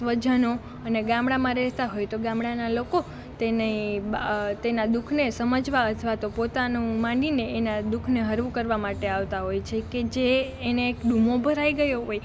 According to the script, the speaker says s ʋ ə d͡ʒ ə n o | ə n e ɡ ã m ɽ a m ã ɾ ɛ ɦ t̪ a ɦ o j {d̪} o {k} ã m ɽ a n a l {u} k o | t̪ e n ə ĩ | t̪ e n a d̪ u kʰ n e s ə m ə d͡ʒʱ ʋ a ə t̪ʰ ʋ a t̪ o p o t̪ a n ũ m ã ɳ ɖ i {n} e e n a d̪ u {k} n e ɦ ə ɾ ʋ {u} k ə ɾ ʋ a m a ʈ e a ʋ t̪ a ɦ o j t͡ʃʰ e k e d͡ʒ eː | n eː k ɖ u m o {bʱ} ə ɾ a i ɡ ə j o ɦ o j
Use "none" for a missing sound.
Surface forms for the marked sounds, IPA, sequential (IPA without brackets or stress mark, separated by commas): t̪, ɡ, o, n, kʰ, u, bʱ